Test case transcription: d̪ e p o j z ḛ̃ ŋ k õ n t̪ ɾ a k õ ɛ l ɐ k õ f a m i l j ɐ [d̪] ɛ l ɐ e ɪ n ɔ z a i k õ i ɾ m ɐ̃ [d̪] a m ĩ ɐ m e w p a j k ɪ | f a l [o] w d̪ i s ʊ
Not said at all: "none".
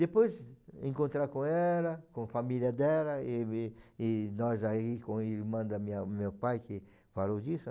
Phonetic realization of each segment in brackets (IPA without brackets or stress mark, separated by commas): d̪, d̪, o